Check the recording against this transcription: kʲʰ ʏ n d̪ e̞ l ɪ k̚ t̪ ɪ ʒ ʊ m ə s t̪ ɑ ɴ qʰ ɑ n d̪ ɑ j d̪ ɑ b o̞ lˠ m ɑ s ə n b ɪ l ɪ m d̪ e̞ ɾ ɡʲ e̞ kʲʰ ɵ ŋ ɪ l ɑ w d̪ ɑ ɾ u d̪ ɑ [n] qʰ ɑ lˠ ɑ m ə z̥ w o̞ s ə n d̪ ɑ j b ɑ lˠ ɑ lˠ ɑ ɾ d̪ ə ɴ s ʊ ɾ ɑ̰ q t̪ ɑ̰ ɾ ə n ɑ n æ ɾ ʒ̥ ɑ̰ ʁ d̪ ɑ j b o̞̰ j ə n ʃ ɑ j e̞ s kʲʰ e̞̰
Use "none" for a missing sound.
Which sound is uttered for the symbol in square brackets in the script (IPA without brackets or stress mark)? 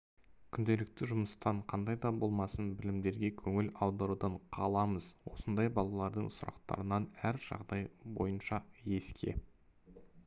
ɴ